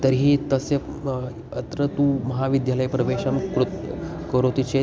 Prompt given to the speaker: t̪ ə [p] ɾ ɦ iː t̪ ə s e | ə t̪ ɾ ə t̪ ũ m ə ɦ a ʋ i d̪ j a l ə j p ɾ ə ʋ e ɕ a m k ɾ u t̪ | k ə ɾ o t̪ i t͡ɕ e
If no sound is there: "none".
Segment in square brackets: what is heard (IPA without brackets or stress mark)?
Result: none